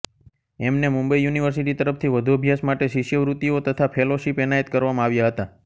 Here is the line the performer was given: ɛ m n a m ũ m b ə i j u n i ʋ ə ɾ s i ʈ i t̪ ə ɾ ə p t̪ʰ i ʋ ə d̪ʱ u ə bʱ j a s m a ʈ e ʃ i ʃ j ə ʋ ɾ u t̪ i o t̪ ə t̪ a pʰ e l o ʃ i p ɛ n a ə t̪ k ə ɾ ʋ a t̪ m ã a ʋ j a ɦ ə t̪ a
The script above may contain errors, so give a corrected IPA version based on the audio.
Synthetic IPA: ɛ m n e m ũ m b ə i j u n i ʋ ə ɾ s i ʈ i t̪ ə ɾ ə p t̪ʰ i ʋ ə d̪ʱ u ə bʱ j a s m a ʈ e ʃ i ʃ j ə ʋ ɾ u t̪ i o t̪ ə t̪ʰ a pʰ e l o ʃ i p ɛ n a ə t̪ k ə ɾ ʋ a m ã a ʋ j a ɦ ə t̪ a